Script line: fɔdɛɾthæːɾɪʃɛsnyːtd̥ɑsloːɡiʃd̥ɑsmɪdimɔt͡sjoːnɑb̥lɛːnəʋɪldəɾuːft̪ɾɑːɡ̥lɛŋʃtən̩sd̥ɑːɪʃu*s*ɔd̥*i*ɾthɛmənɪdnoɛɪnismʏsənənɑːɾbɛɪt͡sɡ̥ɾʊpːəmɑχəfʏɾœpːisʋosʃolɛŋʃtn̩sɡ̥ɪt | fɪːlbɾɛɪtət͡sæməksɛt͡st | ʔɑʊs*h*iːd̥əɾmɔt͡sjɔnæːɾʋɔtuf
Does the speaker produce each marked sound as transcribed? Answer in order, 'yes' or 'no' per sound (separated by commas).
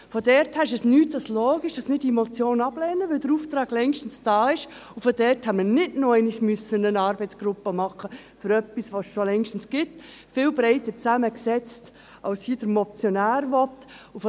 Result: no, no, yes